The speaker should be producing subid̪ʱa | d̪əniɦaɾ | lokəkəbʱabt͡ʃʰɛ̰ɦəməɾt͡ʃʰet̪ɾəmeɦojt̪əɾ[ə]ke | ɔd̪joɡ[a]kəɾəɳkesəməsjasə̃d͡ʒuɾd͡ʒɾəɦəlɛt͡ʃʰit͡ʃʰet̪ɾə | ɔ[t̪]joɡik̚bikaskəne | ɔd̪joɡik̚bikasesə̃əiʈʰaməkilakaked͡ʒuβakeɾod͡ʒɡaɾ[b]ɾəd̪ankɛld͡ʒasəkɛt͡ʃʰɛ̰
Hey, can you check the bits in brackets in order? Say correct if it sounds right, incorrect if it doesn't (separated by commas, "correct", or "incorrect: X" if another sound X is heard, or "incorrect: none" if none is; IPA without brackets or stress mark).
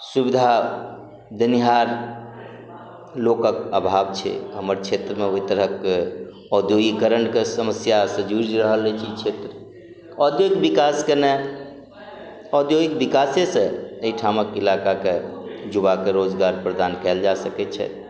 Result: correct, incorrect: i, incorrect: d̪, incorrect: p